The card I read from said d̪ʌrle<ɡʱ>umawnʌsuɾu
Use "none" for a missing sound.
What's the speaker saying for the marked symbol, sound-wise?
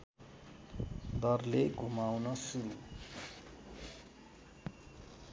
ɡʱ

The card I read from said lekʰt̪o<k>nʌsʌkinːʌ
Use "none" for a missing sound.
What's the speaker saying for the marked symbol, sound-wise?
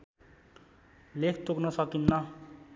k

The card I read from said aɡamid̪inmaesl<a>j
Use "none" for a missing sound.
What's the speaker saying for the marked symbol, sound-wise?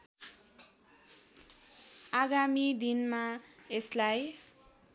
a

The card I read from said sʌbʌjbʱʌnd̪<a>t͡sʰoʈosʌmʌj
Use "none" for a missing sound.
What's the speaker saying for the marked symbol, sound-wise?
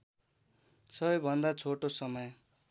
a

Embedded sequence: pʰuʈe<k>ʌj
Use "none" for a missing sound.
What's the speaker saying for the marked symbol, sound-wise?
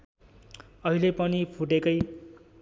k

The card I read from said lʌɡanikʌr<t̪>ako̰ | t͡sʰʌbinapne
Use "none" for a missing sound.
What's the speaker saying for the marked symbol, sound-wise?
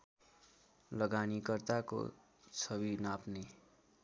t̪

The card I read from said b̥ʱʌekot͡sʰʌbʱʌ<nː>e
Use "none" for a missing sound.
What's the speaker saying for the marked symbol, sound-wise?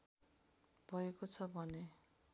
n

